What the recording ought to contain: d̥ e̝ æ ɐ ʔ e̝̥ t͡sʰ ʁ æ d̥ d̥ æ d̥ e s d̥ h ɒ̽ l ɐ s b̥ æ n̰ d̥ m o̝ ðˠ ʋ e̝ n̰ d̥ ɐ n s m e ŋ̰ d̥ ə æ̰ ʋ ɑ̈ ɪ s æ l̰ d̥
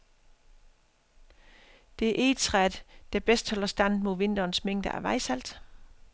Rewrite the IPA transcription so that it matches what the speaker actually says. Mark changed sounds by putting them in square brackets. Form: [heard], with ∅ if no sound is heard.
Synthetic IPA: d̥ e̝ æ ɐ ʔ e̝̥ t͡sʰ ʁ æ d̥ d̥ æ [b̥] e s d̥ h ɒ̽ l ɐ s [d̥] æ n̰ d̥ m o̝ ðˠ ʋ e̝ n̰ d̥ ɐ n s m e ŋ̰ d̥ ə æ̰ ʋ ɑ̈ ɪ s æ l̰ d̥